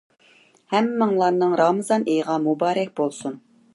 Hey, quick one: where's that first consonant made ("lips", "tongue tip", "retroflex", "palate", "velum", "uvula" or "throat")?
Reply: throat